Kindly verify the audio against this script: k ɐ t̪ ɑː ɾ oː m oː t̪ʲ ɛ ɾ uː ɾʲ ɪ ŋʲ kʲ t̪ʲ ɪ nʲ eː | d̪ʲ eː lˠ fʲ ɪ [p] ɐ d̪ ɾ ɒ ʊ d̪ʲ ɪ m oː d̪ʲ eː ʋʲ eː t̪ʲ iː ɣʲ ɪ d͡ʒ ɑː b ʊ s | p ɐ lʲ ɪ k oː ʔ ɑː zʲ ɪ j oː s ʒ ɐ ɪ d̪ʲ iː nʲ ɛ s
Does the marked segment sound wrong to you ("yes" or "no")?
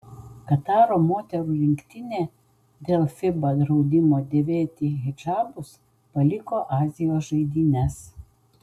yes